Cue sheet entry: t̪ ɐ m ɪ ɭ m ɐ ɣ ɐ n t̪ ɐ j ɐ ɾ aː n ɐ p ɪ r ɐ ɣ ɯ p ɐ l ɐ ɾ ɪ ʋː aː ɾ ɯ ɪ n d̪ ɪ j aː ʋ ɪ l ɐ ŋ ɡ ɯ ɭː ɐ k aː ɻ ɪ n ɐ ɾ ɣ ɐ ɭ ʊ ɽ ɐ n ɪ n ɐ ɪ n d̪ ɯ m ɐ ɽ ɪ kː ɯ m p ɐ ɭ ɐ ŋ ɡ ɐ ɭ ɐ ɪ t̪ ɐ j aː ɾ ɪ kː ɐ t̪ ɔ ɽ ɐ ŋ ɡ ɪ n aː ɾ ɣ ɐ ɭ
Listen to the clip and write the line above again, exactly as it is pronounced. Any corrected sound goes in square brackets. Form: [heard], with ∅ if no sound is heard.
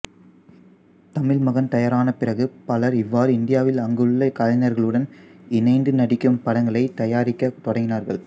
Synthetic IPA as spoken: t̪ ɐ m ɪ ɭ m ɐ ɣ ɐ n t̪ ɐ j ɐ ɾ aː n ɐ p ɪ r ɐ ɣ ɯ p ɐ l ɐ ɾ ɪ ʋː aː ɾ ɯ ɪ n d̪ ɪ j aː ʋ ɪ l ɐ ŋ ɡ ɯ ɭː ɐ k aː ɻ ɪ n ɐ ɾ ɣ ɐ ɭ [ɯ] ɽ ɐ n ɪ n ɐ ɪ n d̪ ɯ [n] ɐ ɽ ɪ kː ɯ m p ɐ [ɽ] ɐ ŋ ɡ ɐ ɭ ɐ ɪ t̪ ɐ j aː ɾ ɪ kː ɐ t̪ ɔ ɽ ɐ ŋ ɡ ɪ n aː ɾ ɣ ɐ ɭ